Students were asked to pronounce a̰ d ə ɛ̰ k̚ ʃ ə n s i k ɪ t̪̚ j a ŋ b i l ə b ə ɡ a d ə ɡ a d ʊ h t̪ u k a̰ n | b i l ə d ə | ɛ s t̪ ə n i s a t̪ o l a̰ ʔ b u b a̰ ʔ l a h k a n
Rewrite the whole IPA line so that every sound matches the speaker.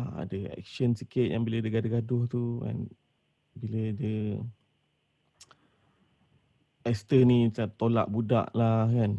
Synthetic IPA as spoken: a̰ d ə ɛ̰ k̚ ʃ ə n s i k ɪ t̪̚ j a ŋ b i l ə d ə ɡ a d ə ɡ a d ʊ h t̪ u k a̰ n | b i l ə d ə | ɛ s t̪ ə n i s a t̪ o l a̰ ʔ b u d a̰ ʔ l a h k a n